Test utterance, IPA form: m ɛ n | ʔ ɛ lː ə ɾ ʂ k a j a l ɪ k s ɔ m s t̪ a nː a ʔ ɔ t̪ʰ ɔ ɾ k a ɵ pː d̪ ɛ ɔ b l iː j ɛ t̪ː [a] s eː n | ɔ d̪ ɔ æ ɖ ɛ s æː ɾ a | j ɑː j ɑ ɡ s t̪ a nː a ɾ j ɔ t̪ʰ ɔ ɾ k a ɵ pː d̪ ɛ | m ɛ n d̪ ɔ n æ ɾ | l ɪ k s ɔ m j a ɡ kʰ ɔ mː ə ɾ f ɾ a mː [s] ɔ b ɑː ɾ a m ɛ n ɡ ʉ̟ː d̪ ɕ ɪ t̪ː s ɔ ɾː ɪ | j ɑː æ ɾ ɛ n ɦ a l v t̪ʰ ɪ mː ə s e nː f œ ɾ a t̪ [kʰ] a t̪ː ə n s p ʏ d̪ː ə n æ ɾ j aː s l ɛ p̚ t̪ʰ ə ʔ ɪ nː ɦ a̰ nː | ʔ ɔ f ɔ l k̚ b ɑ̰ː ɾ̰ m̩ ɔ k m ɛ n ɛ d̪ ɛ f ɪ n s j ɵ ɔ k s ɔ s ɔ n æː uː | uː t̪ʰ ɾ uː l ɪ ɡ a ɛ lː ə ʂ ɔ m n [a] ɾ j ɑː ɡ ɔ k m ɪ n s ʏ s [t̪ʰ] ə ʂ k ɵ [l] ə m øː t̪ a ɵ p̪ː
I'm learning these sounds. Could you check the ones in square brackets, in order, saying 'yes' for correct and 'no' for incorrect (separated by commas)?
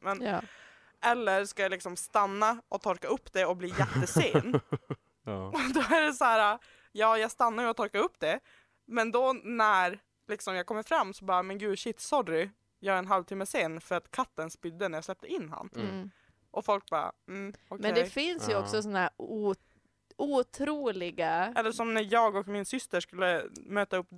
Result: no, yes, yes, no, no, no